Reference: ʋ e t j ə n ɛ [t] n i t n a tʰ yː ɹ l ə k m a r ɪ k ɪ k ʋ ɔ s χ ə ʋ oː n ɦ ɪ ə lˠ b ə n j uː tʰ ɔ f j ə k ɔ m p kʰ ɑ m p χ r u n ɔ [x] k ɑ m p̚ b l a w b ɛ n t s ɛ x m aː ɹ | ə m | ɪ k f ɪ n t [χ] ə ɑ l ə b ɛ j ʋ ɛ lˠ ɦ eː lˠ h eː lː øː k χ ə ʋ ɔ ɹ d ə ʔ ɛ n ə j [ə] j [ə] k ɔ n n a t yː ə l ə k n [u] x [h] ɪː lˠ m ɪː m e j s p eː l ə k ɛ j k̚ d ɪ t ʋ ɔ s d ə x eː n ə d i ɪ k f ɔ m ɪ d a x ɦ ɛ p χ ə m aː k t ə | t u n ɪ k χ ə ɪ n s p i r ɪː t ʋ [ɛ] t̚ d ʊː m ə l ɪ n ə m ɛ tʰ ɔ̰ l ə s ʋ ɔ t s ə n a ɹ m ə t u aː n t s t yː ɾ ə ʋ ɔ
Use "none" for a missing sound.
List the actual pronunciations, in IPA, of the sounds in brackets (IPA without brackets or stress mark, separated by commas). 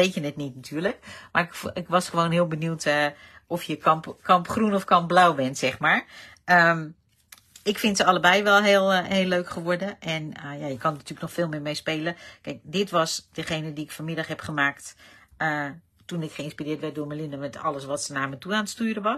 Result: t, f, s, a, ə, ɔ, f, ɛ